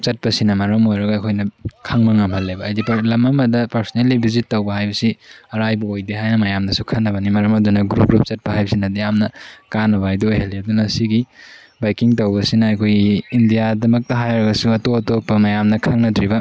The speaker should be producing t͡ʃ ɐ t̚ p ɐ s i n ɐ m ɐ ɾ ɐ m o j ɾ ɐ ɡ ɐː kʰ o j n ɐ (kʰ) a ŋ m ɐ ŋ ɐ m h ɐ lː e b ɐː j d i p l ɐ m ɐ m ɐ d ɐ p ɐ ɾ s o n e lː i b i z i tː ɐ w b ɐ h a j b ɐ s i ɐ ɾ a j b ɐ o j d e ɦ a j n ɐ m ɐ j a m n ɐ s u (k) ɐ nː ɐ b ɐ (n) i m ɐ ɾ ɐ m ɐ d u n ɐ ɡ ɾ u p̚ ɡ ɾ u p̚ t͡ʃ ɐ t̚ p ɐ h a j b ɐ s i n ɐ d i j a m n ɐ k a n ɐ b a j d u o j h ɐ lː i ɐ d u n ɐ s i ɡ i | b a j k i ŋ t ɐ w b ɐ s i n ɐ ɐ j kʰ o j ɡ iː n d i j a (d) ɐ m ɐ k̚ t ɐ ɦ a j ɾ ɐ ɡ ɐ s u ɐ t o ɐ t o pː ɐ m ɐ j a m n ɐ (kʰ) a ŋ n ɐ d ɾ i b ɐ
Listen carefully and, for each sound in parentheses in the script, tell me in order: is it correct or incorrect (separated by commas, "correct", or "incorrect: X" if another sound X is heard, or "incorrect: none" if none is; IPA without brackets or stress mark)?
correct, incorrect: kʰ, correct, correct, correct